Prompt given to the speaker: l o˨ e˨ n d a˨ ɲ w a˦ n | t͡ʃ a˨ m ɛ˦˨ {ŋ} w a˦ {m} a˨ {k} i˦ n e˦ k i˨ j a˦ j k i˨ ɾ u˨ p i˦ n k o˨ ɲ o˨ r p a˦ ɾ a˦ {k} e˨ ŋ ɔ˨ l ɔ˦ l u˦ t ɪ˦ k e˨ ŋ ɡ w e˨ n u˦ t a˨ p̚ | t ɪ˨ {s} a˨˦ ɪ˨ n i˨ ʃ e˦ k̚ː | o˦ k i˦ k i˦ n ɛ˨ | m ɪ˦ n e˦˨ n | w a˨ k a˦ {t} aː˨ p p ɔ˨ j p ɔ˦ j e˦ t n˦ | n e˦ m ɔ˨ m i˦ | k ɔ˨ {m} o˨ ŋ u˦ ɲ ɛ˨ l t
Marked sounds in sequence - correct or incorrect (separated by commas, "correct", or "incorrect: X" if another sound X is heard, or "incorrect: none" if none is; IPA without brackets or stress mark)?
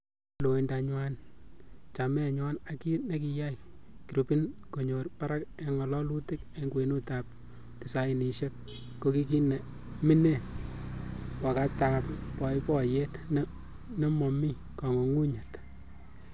incorrect: ɲ, incorrect: n, correct, correct, correct, correct, incorrect: ŋ